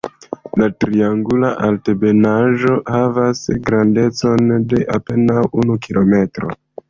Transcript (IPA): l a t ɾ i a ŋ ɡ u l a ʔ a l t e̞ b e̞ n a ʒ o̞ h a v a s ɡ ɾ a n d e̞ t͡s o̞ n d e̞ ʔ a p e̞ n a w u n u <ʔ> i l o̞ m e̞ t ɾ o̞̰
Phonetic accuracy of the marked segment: incorrect: k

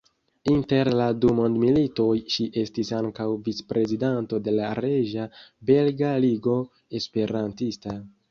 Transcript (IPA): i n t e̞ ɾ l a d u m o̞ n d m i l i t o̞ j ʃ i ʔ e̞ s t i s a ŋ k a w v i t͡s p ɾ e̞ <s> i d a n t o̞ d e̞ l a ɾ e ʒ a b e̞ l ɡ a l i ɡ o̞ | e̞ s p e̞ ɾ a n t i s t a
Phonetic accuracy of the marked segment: incorrect: z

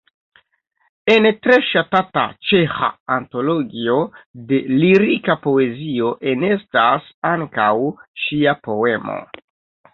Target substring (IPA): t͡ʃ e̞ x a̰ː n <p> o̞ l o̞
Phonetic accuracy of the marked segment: incorrect: t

